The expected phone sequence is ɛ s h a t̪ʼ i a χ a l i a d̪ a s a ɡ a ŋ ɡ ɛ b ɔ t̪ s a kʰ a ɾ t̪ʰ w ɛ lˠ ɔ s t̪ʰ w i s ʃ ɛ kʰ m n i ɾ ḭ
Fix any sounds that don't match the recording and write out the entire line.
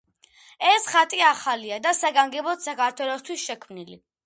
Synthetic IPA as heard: ɛ s χ a t̪ʼ i a χ a l i a d̪ a s a ɡ a ŋ ɡ ɛ b ɔ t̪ s a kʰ a ɾ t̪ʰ w ɛ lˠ ɔ s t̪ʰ w i s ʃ ɛ kʰ m n i l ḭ